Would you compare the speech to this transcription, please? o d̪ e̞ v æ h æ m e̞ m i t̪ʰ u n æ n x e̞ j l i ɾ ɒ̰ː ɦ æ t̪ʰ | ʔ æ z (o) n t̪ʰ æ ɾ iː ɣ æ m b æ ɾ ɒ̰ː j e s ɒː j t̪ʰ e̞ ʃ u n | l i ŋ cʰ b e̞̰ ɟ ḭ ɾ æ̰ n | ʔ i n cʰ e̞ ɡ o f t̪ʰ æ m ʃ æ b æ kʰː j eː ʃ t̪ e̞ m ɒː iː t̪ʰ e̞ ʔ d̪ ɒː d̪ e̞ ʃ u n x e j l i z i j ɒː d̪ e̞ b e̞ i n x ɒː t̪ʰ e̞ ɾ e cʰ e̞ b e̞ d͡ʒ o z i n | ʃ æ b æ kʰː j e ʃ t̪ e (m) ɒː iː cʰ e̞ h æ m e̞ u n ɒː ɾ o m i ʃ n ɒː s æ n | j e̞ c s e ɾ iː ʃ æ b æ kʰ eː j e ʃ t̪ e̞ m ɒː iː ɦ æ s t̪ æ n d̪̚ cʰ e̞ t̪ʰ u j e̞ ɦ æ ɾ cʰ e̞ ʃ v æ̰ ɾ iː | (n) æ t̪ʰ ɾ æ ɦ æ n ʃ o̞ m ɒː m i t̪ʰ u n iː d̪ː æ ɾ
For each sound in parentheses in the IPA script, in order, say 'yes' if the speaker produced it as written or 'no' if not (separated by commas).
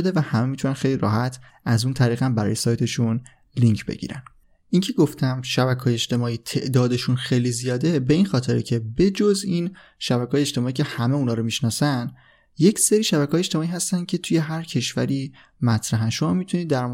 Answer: no, yes, no